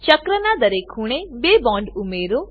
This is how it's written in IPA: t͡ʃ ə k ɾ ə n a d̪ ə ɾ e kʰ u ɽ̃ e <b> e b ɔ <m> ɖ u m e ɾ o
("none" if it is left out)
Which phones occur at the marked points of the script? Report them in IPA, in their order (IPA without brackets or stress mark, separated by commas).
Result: b, ɳ